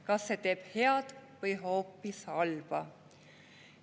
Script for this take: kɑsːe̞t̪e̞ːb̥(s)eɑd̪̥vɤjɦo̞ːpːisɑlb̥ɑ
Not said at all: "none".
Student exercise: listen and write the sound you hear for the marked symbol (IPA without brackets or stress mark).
h